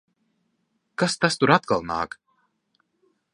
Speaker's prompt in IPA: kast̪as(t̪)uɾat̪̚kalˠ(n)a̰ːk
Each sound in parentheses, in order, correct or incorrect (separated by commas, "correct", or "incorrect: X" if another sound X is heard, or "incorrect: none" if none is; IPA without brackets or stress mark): correct, correct